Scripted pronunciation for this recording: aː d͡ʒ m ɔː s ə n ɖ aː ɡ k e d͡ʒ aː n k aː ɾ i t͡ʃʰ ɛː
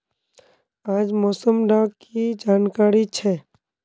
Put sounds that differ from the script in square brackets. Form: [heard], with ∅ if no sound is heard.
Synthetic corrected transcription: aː d͡ʒ m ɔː s ə [m] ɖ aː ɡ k [i] d͡ʒ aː n k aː ɾ i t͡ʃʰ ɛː